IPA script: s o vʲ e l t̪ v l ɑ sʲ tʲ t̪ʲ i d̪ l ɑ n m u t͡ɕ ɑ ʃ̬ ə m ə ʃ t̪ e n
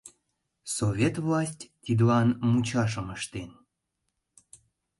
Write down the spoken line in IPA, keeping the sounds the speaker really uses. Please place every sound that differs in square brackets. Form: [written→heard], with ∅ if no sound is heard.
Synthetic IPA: s o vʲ e [l→∅] t̪ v l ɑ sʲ tʲ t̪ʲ i d̪ l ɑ n m u t͡ɕ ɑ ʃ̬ ə m ə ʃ t̪ e n